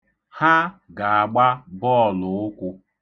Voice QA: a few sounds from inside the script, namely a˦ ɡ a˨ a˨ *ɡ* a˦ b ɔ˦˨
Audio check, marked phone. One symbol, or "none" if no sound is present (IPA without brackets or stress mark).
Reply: ɡ͡b